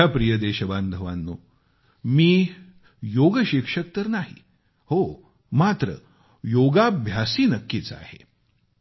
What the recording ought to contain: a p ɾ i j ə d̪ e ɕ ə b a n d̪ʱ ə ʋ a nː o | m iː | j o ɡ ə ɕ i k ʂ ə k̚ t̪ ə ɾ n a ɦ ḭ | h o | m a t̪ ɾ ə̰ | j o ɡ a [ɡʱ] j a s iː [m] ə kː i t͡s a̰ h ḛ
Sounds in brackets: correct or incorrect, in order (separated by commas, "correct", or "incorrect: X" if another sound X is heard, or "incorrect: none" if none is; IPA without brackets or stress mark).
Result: incorrect: bʱ, incorrect: n